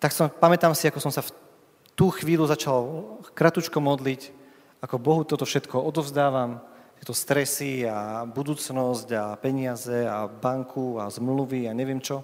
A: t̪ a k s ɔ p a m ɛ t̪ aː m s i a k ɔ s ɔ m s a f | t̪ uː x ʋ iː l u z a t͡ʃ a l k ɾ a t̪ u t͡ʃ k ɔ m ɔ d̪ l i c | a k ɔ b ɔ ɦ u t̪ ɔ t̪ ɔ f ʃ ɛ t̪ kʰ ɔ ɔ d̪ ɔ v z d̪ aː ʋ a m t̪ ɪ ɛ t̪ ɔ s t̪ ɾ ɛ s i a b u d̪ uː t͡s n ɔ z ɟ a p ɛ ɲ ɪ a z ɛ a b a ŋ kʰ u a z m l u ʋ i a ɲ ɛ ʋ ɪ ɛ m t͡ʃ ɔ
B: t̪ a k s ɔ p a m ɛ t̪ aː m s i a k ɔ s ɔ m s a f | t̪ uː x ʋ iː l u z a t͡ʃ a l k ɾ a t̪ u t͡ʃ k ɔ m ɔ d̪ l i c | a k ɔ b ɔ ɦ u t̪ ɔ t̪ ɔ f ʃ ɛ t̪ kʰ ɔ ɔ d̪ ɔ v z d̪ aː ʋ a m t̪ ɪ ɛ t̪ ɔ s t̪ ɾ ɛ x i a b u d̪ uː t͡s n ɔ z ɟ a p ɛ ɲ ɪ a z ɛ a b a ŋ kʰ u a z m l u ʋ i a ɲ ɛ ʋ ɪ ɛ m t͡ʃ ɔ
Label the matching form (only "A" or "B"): A